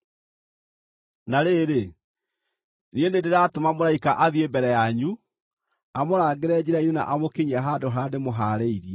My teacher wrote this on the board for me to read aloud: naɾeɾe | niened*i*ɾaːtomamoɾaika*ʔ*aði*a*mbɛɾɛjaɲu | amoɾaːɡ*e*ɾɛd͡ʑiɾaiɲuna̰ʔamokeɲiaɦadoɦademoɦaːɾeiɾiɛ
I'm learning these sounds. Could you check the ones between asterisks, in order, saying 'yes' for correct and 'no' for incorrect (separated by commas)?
no, yes, no, yes